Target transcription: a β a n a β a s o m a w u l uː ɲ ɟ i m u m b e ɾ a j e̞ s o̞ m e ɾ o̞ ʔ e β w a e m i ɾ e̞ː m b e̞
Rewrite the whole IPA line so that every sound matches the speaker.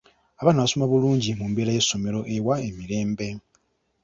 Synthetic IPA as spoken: a β a n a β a s o m a β u l uː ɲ ɟ i m u m b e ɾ a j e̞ s o̞ m e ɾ o̞ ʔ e w a e m i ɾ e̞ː m b e̞